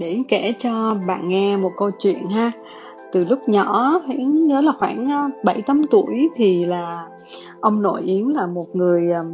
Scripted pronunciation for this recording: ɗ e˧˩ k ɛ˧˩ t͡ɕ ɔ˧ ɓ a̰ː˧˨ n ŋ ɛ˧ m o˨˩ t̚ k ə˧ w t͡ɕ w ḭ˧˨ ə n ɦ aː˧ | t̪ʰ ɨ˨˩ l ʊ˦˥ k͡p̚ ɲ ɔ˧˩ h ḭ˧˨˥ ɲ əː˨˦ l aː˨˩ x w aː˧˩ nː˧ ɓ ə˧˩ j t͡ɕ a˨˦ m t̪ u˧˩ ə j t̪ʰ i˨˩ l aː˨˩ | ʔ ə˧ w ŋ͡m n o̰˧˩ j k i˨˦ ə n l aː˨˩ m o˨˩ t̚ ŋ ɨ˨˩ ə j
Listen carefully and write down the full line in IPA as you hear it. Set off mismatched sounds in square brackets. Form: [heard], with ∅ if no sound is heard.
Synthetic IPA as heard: ɗ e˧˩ k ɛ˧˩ t͡ɕ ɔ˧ ɓ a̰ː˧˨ n ŋ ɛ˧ m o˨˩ t̚ k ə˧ w t͡ɕ w ḭ˧˨ ə n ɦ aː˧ | [t̪] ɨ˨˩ l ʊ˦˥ k͡p̚ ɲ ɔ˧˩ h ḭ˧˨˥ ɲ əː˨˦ l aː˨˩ x w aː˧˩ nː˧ ɓ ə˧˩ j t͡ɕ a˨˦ m t̪ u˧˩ ə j t̪ʰ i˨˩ l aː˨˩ | ʔ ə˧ w ŋ͡m n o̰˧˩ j [ʔ] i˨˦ ə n l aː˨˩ m o˨˩ t̚ ŋ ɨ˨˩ ə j